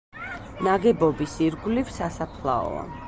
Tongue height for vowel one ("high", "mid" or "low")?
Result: low